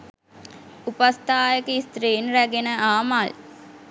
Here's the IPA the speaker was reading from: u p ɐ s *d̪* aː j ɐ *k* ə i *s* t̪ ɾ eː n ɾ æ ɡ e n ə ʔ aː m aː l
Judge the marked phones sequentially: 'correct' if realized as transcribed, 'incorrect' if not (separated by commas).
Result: incorrect, correct, correct